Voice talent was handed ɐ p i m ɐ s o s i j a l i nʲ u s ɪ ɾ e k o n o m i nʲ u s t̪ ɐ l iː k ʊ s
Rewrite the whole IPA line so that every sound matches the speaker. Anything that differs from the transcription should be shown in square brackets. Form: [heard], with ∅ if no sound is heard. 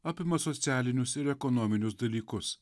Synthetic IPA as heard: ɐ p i m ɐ s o [t͡s] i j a l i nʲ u s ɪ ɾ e k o n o m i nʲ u s [d̪] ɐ l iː k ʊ s